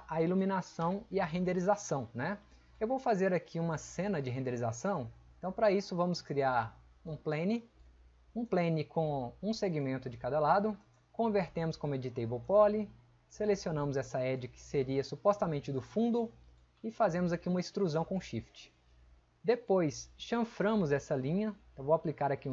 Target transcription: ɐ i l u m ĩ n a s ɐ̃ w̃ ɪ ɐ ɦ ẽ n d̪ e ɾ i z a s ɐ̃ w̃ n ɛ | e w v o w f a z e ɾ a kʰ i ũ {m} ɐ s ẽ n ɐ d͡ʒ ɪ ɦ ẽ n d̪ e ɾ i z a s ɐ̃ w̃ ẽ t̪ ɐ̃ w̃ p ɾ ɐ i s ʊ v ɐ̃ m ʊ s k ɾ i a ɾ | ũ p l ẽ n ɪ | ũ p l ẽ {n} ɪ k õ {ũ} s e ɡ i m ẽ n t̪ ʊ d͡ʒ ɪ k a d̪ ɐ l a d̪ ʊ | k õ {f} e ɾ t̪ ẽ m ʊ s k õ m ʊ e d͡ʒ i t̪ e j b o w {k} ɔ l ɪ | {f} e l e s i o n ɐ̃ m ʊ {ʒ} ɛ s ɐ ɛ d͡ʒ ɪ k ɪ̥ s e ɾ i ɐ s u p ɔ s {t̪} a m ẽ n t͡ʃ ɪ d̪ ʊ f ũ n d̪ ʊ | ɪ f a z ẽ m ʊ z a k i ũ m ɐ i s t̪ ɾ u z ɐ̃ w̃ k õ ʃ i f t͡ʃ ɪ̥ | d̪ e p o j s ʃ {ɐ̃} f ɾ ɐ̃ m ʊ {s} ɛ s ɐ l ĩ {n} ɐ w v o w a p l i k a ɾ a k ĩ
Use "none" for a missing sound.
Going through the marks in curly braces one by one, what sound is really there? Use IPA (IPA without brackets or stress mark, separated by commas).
m, n, ũ, v, p, s, z, t̪, ɐ̃, z, ɲ